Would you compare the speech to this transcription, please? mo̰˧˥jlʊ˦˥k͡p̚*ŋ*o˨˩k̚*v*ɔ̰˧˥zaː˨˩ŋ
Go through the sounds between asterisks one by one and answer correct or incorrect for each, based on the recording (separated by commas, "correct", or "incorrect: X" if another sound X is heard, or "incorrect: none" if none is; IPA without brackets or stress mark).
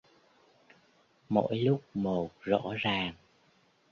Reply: incorrect: m, incorrect: z